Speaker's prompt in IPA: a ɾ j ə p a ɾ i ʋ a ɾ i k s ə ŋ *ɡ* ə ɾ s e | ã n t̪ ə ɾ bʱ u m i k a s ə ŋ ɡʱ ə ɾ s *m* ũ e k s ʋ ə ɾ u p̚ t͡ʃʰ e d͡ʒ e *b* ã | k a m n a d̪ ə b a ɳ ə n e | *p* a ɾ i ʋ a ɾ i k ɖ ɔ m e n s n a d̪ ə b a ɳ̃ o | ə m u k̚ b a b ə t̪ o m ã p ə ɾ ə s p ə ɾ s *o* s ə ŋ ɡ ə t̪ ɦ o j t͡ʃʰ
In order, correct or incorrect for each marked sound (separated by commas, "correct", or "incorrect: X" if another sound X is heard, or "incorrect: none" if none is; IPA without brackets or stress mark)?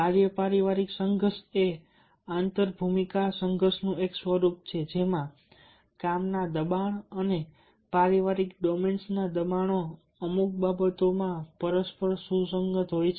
correct, incorrect: n, incorrect: m, correct, incorrect: u